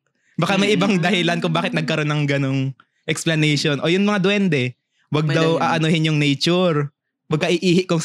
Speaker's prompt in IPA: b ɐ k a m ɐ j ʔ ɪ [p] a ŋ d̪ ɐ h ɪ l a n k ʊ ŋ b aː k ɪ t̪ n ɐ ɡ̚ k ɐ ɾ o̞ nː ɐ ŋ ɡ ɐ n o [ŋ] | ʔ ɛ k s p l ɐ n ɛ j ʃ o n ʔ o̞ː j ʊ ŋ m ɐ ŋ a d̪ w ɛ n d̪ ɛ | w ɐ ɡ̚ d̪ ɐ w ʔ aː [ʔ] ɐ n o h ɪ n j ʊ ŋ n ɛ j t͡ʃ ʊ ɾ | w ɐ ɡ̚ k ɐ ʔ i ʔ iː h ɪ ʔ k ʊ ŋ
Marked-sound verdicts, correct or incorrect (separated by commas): incorrect, correct, correct